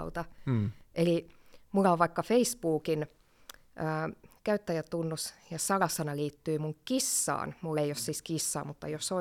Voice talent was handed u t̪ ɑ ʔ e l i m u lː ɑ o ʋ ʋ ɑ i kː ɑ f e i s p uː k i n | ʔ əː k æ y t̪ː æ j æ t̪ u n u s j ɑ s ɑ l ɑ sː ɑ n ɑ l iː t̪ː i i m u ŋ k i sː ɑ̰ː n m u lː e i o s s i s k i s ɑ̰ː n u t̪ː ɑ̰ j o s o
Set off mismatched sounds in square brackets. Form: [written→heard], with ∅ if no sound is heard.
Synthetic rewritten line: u t̪ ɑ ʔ e l i m u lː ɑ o ʋ ʋ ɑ i kː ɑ f e i s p uː k i n | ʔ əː k æ y t̪ː æ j æ t̪ u [n→nː] u s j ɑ s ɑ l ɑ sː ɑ n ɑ l iː t̪ː [i→y] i m u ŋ k i sː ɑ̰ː n m u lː e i o s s i s k i [s→sː] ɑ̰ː [n→m] u t̪ː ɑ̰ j o s o